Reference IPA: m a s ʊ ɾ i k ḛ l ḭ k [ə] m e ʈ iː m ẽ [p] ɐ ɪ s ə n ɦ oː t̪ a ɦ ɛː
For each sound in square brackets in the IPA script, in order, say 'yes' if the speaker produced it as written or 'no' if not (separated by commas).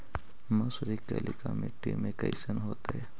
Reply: no, no